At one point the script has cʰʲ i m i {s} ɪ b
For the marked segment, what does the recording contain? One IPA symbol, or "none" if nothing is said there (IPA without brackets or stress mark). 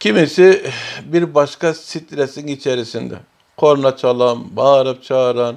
s